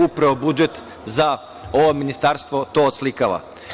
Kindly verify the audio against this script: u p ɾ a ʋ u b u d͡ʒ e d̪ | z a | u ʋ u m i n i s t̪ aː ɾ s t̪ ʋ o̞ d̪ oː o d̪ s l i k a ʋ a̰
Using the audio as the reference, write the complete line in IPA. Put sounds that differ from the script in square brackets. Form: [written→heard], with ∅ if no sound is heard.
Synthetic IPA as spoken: u p ɾ a ʋ [u→o] b u d͡ʒ e [d̪→t̪] | z a | [u→o] ʋ [u→o] m i n i s t̪ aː ɾ s t̪ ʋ o̞ [d̪→t̪] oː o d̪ s l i k a ʋ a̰